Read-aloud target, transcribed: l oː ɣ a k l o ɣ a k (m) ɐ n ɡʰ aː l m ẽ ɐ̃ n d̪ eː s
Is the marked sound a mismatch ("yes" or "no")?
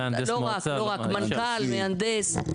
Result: no